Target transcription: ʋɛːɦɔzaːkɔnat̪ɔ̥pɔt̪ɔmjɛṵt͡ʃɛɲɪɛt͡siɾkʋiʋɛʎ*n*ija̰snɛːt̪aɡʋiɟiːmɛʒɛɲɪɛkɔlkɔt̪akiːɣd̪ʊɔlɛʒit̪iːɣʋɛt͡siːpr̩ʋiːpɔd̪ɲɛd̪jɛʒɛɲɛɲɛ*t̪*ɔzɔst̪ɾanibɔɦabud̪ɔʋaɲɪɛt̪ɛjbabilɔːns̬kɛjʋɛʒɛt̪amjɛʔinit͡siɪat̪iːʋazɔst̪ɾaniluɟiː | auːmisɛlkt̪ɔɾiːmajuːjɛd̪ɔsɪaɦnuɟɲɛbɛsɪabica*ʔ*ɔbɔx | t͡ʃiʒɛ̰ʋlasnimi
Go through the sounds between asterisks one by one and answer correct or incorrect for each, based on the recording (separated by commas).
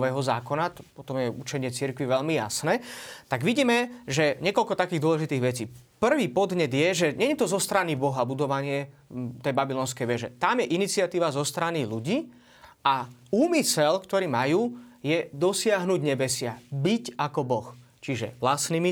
incorrect, correct, incorrect